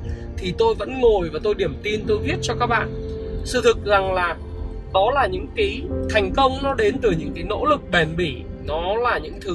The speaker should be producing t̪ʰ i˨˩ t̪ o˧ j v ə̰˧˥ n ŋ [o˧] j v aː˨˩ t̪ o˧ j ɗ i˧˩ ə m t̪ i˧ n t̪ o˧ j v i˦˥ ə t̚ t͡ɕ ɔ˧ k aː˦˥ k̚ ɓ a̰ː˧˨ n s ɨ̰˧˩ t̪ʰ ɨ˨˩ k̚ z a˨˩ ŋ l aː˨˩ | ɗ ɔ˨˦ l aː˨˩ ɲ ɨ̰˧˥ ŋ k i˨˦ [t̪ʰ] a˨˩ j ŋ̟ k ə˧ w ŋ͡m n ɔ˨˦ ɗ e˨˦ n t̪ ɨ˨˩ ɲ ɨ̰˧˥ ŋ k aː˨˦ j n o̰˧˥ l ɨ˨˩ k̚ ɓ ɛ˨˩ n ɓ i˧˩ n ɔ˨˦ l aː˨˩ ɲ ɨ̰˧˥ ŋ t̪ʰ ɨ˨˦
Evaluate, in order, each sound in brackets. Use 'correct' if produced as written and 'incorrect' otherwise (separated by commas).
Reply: incorrect, correct